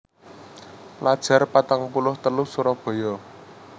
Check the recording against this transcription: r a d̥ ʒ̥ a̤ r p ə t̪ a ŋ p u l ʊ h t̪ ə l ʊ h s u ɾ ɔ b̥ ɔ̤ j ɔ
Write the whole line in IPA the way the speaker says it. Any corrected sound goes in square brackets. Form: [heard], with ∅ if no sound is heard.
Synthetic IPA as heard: [l] a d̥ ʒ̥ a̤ r p [a] t̪ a ŋ p u l ʊ h t̪ ə l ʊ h s u ɾ ɔ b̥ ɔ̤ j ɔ